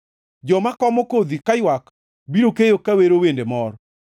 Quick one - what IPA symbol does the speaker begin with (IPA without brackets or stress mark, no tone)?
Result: d͡ʒ